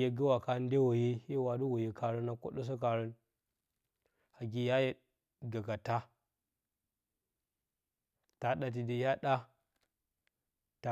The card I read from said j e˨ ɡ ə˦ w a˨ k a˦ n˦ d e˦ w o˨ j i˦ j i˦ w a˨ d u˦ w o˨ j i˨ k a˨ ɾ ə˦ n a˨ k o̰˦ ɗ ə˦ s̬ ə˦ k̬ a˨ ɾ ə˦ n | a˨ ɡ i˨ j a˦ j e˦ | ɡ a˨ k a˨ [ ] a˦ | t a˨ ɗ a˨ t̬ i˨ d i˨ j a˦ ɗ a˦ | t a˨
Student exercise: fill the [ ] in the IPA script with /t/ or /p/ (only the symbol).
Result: t